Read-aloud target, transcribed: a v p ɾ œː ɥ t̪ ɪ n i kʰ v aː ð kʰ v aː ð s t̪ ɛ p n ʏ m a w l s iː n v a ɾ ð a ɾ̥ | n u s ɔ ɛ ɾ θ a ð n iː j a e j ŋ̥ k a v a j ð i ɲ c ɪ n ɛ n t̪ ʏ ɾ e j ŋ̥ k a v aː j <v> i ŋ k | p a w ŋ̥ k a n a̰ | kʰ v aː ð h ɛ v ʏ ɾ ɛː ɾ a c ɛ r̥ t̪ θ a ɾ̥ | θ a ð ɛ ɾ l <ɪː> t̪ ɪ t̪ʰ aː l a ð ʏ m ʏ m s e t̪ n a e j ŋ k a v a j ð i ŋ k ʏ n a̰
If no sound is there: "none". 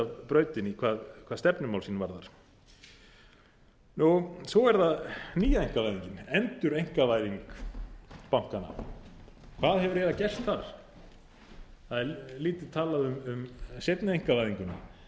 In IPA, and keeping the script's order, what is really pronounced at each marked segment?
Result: ð, iː

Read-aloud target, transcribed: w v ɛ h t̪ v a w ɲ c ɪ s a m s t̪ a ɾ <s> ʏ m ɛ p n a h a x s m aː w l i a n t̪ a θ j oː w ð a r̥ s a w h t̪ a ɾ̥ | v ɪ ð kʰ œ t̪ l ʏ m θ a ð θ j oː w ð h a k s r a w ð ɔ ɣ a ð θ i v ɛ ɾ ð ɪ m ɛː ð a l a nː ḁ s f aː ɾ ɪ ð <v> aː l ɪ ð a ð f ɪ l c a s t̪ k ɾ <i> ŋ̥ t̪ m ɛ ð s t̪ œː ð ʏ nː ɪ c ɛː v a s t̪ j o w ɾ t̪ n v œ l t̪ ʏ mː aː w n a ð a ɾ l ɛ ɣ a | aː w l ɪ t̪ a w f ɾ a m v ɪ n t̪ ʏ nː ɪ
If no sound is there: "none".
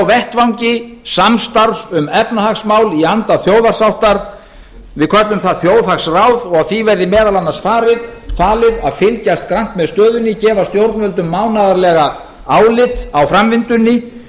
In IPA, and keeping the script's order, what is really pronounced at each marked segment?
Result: s, f, a

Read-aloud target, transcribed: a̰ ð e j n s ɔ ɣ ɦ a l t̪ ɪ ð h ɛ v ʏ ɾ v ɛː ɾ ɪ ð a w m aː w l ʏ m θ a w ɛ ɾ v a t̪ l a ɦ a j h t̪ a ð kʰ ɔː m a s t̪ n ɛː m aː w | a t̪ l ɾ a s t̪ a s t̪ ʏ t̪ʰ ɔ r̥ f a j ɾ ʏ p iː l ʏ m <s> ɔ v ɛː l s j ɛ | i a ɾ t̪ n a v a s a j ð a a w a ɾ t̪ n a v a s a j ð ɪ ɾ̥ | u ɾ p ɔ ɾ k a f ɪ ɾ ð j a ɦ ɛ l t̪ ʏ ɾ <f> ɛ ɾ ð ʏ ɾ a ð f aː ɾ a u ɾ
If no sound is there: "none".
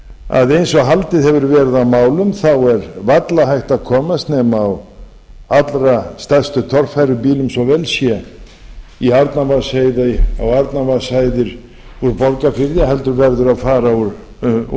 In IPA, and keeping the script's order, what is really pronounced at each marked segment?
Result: s, v

